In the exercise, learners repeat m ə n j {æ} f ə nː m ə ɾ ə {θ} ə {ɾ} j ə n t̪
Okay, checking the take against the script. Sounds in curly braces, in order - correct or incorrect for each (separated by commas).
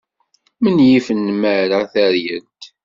incorrect, correct, correct